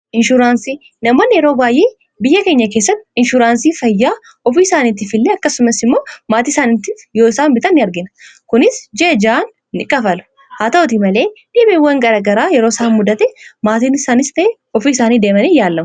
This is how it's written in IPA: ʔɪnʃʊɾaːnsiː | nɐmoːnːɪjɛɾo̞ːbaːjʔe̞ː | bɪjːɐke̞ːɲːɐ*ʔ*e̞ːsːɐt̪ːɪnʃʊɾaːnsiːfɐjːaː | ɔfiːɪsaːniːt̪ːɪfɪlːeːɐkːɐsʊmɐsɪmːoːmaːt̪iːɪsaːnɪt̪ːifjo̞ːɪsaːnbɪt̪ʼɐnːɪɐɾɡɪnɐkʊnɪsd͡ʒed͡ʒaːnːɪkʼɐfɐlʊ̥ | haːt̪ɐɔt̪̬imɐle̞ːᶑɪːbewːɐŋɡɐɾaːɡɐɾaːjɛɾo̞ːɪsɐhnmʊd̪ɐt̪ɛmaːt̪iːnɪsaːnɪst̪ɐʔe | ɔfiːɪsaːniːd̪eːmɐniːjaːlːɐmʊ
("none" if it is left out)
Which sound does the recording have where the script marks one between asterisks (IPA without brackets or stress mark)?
k